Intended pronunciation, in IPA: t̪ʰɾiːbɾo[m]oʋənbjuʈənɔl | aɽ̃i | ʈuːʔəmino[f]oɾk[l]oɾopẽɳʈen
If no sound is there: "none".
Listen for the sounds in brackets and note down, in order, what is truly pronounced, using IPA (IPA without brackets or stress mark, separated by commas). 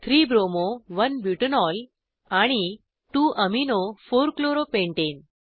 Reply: m, f, l